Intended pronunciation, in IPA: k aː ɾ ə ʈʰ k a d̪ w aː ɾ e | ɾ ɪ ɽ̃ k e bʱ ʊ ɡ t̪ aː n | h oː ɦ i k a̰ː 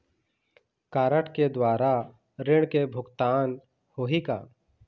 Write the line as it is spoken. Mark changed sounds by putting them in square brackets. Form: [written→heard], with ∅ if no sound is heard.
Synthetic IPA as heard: k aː ɾ ə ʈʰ k [a→e] d̪ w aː ɾ [e→a] | ɾ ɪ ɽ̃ k e bʱ ʊ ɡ t̪ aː n | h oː ɦ i k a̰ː